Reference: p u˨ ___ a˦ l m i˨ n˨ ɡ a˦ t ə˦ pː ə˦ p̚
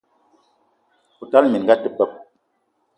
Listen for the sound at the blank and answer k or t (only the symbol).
t